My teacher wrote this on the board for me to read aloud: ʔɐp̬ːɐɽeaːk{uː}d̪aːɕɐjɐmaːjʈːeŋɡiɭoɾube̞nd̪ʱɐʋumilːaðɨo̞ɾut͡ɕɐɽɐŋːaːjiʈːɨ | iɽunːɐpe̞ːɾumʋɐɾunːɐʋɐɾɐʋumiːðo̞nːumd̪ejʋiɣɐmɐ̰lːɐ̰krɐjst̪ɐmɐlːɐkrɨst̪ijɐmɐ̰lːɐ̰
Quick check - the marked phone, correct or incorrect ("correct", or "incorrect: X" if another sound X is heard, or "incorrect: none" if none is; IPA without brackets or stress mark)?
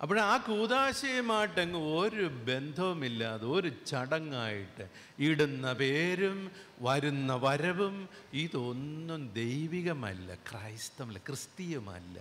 correct